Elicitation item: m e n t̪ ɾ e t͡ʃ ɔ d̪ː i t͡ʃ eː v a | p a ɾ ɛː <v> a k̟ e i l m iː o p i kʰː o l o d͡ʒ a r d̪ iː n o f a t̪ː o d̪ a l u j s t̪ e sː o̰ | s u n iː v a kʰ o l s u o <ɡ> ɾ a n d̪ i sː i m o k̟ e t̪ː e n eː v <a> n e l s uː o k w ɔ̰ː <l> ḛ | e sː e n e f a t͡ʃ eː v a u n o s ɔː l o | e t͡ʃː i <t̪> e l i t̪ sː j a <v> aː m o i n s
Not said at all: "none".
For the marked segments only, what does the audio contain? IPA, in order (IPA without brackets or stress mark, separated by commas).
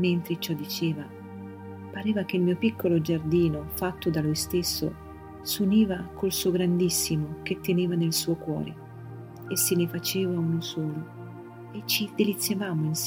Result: v, ɡ, a, ɾ, d̪, v